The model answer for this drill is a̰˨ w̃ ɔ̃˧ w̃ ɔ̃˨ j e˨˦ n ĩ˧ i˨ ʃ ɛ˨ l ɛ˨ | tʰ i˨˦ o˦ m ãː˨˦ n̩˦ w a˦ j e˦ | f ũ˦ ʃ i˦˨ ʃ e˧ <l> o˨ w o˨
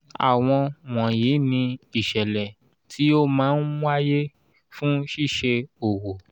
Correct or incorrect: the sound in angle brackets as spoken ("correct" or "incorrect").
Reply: incorrect